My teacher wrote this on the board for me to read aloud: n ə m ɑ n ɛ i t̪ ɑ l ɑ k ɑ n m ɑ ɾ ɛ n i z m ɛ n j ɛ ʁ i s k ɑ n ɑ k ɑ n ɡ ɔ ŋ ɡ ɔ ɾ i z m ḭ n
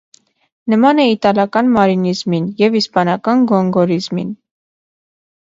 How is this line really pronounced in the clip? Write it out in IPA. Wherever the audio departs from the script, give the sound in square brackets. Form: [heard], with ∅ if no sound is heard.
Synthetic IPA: n ə m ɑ n ɛ i t̪ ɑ l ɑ k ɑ n m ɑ ɾ [i] n i z m [i] n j ɛ [v] i s [p] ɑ n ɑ k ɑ n ɡ ɔ ŋ ɡ ɔ ɾ i z m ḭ n